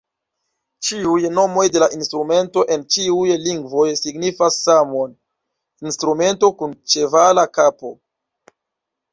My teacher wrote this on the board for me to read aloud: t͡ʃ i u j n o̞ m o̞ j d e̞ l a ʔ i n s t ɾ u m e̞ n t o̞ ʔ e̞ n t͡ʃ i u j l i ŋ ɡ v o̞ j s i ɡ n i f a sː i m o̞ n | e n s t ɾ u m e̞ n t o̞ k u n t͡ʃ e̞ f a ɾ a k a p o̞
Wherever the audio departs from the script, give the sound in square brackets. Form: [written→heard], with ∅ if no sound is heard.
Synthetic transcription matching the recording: t͡ʃ i u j n o̞ m o̞ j d e̞ l a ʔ i n s t ɾ u m e̞ n t o̞ ʔ e̞ n t͡ʃ i u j l i ŋ ɡ v o̞ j s i ɡ n i f a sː [i→a] m o̞ n | [e→i] n s t ɾ u m e̞ n t o̞ k u n t͡ʃ e̞ [f→v] a [ɾ→l] a k a p o̞